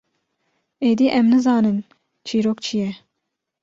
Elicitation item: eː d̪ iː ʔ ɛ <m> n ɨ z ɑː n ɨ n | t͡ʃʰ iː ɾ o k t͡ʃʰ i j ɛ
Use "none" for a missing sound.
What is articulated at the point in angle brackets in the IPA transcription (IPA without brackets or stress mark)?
m